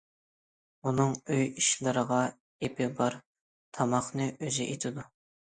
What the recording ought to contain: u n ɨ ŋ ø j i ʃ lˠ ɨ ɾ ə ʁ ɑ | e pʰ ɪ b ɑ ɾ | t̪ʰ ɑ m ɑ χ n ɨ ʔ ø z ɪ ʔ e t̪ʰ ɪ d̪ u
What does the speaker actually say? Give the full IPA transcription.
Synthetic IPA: u n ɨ ŋ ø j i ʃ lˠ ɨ ɾ ə ʁ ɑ | e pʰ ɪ b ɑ ɾ | t̪ʰ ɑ m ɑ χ n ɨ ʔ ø z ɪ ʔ e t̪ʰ ɪ d̪ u